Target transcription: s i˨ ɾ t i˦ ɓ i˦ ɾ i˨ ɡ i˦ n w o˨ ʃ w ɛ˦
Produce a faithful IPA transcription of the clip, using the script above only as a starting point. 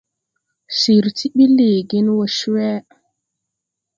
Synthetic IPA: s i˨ ɾ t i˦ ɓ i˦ l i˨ ɡ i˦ n w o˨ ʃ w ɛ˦